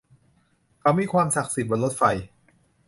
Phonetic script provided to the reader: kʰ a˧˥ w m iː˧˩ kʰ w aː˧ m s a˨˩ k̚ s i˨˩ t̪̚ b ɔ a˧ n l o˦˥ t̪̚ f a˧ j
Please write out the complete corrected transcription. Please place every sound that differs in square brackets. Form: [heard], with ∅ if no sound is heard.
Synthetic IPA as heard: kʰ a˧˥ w m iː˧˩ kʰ w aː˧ m s a˨˩ k̚ s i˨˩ t̪̚ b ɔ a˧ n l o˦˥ t̪̚ f a˧ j